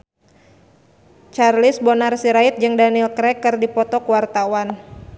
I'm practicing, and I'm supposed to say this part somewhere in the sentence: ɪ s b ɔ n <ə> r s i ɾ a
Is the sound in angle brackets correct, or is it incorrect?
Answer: incorrect